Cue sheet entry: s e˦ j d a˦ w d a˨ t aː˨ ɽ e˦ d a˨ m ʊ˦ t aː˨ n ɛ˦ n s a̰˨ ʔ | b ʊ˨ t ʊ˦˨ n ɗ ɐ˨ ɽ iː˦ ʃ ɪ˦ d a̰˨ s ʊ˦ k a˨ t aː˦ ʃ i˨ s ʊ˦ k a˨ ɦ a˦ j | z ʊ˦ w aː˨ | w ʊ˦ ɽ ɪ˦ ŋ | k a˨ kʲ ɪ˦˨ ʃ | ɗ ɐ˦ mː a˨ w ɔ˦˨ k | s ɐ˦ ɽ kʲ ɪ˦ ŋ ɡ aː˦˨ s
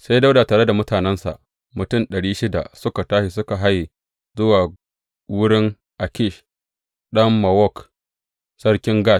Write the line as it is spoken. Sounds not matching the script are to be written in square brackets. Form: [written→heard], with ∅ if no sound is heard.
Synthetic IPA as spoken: s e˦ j d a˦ w d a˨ t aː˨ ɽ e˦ d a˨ m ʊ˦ t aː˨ n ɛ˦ n s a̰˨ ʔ | [b→m] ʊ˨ t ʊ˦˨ n ɗ ɐ˨ ɽ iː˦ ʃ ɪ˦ d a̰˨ s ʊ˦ k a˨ t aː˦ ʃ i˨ s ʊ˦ k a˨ ɦ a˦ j | z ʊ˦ w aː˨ | w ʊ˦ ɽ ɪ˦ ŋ | [k→ʔ] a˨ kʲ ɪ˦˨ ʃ | ɗ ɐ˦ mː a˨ w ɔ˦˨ k | s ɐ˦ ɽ kʲ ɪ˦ ŋ ɡ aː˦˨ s